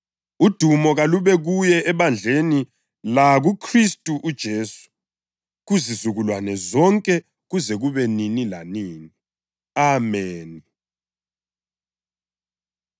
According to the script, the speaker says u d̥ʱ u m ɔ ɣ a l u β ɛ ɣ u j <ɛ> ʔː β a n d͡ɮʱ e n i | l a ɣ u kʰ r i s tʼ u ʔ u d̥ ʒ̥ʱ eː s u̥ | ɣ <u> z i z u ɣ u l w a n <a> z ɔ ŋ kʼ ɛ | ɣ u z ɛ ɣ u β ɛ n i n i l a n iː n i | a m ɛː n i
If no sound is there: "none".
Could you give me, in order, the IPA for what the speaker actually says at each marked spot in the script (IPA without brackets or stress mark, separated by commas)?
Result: ɛ, u, ɛ